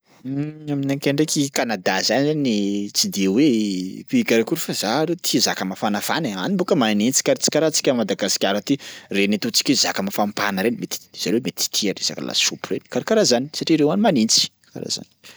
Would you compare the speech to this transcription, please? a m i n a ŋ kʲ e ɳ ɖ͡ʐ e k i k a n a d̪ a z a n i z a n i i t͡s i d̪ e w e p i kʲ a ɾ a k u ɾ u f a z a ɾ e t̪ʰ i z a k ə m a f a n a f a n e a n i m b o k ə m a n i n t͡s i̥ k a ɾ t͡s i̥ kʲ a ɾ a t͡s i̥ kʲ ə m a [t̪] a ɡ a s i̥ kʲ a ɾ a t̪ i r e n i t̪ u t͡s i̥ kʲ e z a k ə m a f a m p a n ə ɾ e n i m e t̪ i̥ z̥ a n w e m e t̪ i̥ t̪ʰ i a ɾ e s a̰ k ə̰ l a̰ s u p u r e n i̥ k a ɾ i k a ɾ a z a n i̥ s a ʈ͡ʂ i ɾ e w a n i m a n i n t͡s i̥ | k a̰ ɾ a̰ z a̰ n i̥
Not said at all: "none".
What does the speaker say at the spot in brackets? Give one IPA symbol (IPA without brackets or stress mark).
d̪